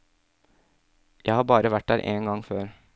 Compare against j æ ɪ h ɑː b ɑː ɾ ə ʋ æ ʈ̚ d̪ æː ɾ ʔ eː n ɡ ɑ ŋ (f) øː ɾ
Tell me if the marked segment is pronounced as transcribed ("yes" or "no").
yes